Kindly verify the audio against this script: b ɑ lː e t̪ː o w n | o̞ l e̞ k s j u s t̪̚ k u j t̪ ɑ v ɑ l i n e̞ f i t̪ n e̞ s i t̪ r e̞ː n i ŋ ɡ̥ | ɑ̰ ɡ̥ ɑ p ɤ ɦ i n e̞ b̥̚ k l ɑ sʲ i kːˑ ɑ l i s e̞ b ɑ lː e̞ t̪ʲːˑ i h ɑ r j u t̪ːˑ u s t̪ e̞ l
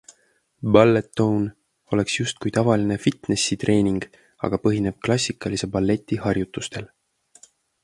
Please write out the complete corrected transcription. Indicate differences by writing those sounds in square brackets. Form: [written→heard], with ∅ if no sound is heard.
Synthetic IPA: b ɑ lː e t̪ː o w n | o̞ l e̞ k s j u s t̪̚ k u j t̪ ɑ v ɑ l i n e̞ f i t̪ n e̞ s i t̪ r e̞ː n i ŋ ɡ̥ | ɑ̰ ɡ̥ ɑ p ɤ ɦ i n e̞ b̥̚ k l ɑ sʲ i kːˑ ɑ l i s e̞ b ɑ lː e̞ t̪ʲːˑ i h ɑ r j u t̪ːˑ u s t̪ e̞ l